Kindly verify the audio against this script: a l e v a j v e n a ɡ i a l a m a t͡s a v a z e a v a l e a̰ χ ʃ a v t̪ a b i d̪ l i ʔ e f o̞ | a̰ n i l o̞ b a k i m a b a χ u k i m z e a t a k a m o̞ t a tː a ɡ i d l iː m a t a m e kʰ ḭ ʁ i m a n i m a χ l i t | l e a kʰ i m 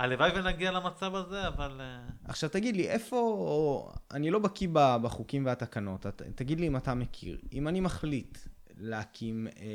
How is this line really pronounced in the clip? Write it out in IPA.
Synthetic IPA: a l e v a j v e n a ɡ i a l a m a t͡s a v a z e a v a l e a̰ χ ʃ a v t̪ a ɡ i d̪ l i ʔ e f o̞ | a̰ n i l o̞ b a k i b a b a χ u k i m v e a t a k a n o̞ t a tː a ɡ i d l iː m a t a m e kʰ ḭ ʁ i m a n i m a χ l i t | l e a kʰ i m